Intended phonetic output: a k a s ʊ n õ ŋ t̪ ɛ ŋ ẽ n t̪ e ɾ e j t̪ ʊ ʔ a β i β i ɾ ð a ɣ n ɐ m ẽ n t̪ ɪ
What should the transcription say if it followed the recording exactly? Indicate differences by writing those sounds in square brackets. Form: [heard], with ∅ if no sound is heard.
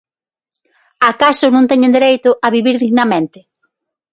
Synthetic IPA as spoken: a k a s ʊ n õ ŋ t̪ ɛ [ɲ] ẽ n [d̪] e ɾ e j t̪ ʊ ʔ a β i β i ɾ ð [i] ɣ n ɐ m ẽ n t̪ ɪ